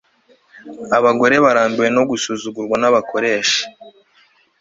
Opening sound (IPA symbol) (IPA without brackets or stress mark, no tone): a